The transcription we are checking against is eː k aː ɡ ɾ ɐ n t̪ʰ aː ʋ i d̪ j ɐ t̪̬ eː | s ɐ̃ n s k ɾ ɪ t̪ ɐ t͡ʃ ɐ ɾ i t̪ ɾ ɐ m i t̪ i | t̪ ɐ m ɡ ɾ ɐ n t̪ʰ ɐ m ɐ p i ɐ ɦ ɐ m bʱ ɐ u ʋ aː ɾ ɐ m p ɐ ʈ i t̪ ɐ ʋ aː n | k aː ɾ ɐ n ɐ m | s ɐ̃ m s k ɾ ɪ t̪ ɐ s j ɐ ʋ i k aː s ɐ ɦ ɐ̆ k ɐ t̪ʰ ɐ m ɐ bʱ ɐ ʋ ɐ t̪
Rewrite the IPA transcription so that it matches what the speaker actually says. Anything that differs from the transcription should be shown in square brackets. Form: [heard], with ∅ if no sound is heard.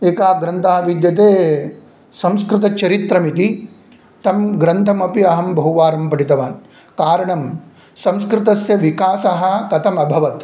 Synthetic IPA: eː k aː ɡ ɾ ɐ n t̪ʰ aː ʋ i d̪ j ɐ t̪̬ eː | s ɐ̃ [m] s k ɾ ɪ t̪ ɐ t͡ʃ ɐ ɾ i t̪ ɾ ɐ m i t̪ i | t̪ ɐ m ɡ ɾ ɐ n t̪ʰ ɐ m ɐ p i ɐ ɦ ɐ m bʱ ɐ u ʋ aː ɾ ɐ m p ɐ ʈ i t̪ ɐ ʋ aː n | k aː ɾ ɐ [ɳ] ɐ m | s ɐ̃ m s k ɾ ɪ t̪ ɐ s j ɐ ʋ i k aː s ɐ ɦ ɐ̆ k ɐ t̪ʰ ɐ m ɐ bʱ ɐ ʋ ɐ t̪